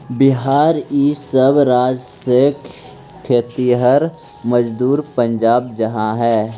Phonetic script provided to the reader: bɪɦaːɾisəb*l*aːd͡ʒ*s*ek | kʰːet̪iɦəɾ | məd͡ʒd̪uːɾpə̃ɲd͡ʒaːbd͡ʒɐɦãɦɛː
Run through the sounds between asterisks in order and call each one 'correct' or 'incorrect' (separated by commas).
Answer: incorrect, correct